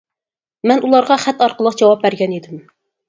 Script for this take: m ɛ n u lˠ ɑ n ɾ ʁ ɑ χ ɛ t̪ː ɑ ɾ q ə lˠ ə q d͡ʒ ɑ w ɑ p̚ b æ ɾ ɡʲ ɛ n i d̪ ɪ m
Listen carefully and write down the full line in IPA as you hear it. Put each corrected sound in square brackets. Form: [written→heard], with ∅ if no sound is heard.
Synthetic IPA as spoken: m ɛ n u lˠ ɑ [n→∅] ɾ ʁ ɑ χ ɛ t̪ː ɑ ɾ q ə lˠ ə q d͡ʒ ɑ w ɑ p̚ b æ ɾ ɡʲ ɛ n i d̪ ɪ m